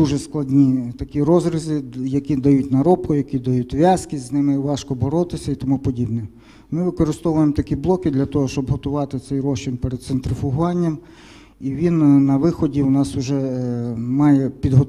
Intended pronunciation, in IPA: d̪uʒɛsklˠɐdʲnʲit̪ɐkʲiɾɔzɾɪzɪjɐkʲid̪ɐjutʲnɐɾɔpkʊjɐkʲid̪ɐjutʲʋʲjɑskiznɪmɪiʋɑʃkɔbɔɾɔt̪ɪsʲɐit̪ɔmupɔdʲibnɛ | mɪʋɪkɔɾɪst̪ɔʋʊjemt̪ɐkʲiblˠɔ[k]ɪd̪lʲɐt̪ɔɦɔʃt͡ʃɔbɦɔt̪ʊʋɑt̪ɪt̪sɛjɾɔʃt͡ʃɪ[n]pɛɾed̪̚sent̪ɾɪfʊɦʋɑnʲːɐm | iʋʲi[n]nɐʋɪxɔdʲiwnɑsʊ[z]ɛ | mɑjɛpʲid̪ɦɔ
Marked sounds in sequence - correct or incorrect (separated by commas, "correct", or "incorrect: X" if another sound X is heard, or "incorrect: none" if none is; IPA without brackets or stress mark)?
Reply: correct, correct, correct, incorrect: ʒ